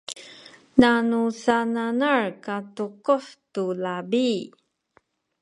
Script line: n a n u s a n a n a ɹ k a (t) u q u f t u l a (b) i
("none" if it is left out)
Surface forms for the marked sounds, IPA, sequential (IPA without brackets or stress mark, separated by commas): t, b